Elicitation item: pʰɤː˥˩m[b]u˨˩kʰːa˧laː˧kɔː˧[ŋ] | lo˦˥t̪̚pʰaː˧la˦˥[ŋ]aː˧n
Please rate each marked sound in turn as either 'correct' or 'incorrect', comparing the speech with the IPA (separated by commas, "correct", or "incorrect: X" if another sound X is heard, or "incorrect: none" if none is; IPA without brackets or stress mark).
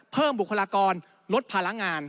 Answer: correct, incorrect: n, correct